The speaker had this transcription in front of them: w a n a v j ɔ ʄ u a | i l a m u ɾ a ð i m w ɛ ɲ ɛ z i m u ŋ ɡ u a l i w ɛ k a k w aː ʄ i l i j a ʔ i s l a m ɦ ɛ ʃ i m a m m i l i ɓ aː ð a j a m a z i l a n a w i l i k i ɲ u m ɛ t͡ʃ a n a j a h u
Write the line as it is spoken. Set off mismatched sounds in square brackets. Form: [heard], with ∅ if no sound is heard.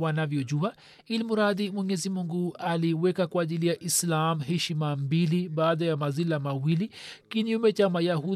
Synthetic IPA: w a n a v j ɔ ʄ u a | i l [i] m u ɾ a ð i m w ɛ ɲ ɛ z i m u ŋ ɡ u a l i w ɛ k a k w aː ʄ i l i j a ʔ i s l a m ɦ ɛ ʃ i m a m [b] i l i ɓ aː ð a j a m a z i l a [m] a w i l i k i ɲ u m ɛ t͡ʃ a [m] a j a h u